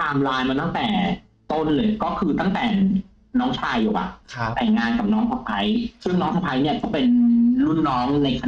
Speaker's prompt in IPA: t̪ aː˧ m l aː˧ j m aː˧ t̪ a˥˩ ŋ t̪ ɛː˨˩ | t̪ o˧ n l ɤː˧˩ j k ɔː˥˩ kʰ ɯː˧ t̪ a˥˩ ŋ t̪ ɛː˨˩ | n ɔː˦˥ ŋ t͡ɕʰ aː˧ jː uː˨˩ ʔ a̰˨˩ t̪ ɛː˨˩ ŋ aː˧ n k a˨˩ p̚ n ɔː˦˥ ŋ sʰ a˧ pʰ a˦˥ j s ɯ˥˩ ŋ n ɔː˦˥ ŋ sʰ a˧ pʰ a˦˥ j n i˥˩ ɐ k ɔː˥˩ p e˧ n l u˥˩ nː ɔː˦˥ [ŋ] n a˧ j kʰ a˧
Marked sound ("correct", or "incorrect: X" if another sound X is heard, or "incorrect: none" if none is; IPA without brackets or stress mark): correct